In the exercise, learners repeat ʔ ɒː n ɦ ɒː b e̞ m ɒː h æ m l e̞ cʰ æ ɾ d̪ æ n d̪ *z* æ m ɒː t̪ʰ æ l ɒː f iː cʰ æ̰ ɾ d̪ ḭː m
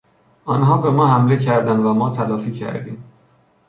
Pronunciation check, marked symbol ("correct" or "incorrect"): incorrect